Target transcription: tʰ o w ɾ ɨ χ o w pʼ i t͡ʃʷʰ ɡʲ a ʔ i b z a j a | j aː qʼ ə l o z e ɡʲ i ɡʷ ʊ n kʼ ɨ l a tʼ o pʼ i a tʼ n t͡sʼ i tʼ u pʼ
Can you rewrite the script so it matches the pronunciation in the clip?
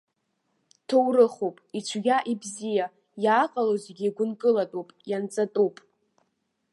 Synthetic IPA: tʰ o w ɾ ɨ χ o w pʼ i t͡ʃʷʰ ɡʲ a ʔ i b z i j a | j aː qʼ a l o z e ɡʲ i ɡʷ ʊ n kʼ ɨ l a tʼ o pʼ j a n t͡sʼ a tʼ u pʼ